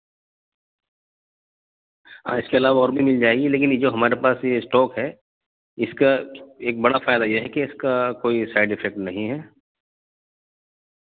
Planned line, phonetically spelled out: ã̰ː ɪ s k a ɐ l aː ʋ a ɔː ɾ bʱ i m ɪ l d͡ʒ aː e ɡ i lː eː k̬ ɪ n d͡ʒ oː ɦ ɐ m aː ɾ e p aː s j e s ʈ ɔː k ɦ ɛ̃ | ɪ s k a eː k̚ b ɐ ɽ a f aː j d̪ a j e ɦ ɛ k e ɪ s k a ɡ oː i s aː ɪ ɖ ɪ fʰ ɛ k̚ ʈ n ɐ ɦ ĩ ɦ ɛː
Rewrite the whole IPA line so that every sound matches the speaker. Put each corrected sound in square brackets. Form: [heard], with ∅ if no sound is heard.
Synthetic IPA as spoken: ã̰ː ɪ s k [e] ɐ l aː ʋ a ɔː ɾ bʱ i m ɪ l d͡ʒ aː e ɡ i [l] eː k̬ ɪ n d͡ʒ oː ɦ ɐ m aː ɾ e p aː s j e s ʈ ɔː k ɦ [ɛ] | ɪ s k a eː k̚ b ɐ ɽ a f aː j d̪ a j e ɦ ɛ k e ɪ s k a [k] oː i s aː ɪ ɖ ɪ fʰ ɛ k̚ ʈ n ɐ ɦ ĩ ɦ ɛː